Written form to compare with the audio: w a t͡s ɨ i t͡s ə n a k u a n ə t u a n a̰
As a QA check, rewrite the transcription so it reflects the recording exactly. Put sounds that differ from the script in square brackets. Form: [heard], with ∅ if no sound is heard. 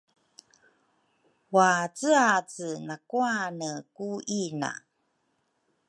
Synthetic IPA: w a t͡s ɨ [a] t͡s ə n a k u a n ə [k] u [i] n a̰

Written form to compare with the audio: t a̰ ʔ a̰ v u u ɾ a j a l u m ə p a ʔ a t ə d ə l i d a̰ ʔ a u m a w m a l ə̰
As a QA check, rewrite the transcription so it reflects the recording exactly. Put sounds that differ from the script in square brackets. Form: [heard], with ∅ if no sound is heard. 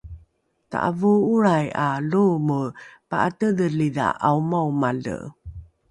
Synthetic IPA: t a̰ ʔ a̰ v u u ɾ a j a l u m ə p a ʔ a t ə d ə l i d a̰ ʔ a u m a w m a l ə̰

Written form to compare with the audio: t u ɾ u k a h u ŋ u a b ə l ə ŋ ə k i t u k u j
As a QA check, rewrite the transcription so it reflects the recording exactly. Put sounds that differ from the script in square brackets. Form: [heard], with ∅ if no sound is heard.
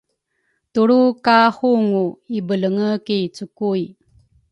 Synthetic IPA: t u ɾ u k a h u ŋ u [i] b ə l ə ŋ ə k i [t͡s] u k u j

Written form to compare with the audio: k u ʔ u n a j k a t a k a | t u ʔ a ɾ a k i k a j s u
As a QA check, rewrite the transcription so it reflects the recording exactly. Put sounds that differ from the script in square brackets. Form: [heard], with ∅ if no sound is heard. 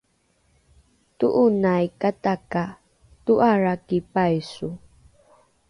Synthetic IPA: [t] u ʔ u n a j k a t a k a | t u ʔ a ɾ a k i [p] a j s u

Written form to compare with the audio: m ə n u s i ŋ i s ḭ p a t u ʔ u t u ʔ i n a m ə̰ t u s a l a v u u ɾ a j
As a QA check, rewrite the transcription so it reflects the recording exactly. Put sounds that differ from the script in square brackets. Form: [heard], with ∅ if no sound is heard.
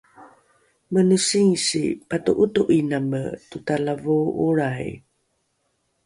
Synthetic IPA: m ə n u s i ŋ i s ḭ p a t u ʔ u t u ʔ i n a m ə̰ t u [t] a l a v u u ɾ a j

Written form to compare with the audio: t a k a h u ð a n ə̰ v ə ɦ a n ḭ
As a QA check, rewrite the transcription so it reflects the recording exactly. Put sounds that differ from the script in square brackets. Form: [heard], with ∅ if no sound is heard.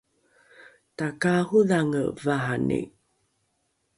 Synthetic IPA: t a k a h u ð a [ŋ] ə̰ v [a] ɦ a n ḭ

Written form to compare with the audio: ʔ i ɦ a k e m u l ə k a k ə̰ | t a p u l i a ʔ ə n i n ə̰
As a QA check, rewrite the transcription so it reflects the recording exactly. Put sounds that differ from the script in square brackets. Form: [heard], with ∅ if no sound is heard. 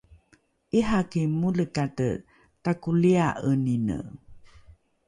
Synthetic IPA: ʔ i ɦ a k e m u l ə k a [t] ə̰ | t a [k] u l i a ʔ ə n i n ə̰

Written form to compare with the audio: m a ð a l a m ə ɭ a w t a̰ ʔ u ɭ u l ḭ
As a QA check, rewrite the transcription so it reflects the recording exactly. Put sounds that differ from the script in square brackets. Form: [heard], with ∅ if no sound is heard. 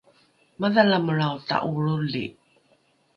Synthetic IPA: m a ð a l a m ə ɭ a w t a̰ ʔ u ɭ u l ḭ

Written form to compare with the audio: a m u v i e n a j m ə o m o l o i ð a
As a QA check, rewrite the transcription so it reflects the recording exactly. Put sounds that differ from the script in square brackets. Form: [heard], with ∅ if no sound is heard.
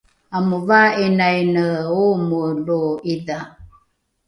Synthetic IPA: a m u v [a] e n a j [n] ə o m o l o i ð a

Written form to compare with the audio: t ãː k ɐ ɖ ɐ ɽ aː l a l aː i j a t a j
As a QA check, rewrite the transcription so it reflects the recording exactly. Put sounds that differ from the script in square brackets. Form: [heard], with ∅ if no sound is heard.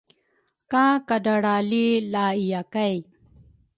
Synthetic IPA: [k] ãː k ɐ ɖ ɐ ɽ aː l [i] l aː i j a [k] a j

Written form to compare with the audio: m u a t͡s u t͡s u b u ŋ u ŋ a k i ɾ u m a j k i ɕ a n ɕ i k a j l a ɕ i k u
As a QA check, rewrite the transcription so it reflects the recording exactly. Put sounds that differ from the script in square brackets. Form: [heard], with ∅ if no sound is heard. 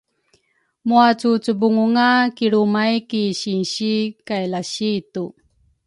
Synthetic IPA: m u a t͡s u t͡s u b u ŋ u ŋ a k i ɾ u m a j k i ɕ [i] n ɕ i k a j l a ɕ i [t] u

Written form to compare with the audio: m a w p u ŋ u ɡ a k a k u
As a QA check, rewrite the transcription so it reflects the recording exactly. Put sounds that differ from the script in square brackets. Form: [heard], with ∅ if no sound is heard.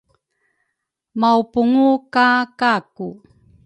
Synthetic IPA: m a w p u ŋ u [k] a k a k u

